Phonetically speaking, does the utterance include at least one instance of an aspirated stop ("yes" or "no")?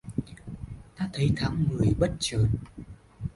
yes